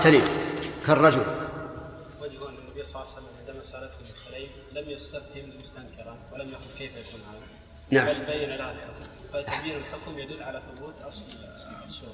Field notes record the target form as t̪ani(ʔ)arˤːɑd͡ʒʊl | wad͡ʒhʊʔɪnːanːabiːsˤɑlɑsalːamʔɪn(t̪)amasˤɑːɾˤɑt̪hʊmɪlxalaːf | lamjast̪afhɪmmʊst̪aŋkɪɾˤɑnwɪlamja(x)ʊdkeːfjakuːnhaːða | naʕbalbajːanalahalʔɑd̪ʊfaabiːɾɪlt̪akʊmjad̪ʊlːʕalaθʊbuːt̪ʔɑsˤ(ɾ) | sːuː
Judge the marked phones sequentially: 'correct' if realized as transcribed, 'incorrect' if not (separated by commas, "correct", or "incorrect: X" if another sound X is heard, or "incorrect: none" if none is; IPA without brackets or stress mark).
incorrect: k, incorrect: d̪, correct, incorrect: l